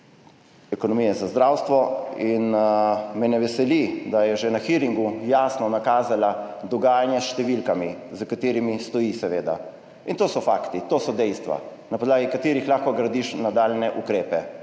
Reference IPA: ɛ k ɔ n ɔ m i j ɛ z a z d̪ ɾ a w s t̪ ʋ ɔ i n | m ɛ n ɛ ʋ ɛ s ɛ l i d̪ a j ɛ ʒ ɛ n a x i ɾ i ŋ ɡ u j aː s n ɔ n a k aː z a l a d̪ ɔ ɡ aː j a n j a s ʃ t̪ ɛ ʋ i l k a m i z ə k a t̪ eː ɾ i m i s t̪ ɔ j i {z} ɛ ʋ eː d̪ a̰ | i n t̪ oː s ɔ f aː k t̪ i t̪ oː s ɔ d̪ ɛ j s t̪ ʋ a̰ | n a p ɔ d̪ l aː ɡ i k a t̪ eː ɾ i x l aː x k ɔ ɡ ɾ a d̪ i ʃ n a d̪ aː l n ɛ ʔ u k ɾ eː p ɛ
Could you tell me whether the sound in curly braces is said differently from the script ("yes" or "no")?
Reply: yes